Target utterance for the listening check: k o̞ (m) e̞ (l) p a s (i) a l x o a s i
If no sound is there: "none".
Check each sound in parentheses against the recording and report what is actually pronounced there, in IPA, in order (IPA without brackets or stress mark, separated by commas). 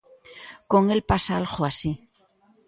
ŋ, l, a